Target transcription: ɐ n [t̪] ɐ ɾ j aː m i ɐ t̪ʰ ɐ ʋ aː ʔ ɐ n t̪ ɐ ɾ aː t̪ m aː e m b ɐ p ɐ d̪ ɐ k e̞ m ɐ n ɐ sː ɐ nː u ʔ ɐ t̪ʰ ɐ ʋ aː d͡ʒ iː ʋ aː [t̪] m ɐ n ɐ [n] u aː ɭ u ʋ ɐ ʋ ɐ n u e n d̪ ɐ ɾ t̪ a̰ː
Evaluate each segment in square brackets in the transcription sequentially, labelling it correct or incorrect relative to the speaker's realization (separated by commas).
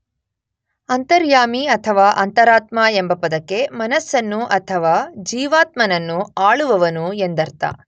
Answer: correct, correct, incorrect